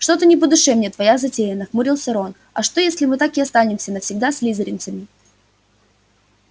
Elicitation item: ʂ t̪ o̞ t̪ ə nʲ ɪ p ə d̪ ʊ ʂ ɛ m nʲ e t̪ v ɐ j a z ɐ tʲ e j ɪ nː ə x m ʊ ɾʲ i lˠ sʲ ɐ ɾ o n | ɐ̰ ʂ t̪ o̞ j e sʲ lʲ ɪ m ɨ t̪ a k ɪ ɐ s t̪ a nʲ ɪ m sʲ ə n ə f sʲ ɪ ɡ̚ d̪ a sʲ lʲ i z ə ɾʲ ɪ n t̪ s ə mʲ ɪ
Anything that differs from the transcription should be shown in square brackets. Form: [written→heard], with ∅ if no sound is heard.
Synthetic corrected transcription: ʂ t̪ o̞ t̪ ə nʲ ɪ p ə d̪ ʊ ʂ ɛ m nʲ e t̪ v ɐ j a z ɐ tʲ e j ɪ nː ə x m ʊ ɾʲ i lˠ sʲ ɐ ɾ o n | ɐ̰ ʂ t̪ o̞ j e sʲ lʲ ɪ m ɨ t̪ a k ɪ ɐ s t̪ a nʲ ɪ m sʲ ə n ə f sʲ ɪ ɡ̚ d̪ a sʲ lʲ i z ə ɾʲ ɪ n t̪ s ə mʲ ɪ